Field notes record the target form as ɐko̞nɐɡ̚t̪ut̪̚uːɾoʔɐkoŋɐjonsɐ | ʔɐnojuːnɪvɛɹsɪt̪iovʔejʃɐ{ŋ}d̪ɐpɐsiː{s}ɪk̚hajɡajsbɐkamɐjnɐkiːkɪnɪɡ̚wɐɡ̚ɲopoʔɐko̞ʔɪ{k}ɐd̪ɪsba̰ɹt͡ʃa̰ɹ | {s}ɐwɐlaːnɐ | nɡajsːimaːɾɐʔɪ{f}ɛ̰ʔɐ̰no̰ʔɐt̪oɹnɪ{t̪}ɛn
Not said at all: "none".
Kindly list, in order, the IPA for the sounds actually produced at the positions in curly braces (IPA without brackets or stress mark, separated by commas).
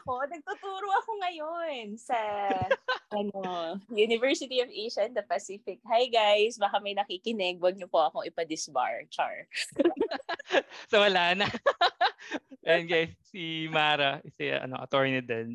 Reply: n, f, p, s, s, d̪